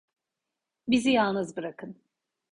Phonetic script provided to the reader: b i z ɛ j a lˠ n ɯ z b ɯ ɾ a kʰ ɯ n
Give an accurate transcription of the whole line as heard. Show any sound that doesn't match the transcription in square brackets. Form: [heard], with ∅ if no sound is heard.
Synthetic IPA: b i z [i] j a lˠ n ɯ z b ɯ ɾ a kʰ ɯ n